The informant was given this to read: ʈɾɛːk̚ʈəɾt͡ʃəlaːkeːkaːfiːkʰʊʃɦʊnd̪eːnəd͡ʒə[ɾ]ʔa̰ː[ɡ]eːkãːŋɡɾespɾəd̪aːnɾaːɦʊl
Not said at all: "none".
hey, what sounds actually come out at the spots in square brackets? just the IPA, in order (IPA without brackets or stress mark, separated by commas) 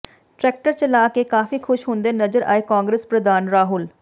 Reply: ɾ, none